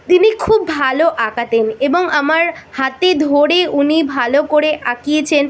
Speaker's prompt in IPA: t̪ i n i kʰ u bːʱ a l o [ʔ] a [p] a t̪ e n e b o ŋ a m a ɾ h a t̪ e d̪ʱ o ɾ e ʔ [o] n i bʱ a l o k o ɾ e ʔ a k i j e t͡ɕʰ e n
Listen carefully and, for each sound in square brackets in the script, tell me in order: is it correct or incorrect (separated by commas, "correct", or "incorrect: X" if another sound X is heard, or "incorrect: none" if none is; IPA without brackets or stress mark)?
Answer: correct, incorrect: k, incorrect: u